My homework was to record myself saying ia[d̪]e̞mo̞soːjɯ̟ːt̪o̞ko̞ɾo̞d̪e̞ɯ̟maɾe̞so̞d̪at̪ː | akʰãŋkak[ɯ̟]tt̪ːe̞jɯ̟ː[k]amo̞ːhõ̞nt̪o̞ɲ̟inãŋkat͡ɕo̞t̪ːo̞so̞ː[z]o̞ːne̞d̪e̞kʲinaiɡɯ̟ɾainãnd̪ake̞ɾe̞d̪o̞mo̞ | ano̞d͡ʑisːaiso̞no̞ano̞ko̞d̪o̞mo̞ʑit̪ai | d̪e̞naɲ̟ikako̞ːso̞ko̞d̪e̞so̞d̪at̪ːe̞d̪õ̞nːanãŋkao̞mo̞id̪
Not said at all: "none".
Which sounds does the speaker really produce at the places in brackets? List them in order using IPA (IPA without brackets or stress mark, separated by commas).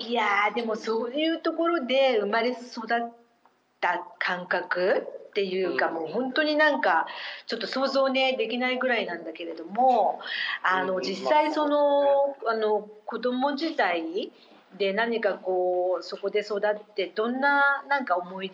d̪, ɯ̟, k, z